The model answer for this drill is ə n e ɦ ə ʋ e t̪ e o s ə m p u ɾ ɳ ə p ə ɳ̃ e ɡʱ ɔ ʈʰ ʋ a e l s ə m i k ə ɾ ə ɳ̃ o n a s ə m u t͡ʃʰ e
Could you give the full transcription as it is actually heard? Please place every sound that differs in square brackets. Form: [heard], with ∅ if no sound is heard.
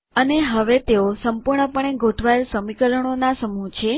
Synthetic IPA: ə n e ɦ ə ʋ e t̪ e o s ə m p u ɾ ɳ ə p ə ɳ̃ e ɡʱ [o] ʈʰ ʋ a e l s ə m i k ə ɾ ə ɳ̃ o n a s ə m u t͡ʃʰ e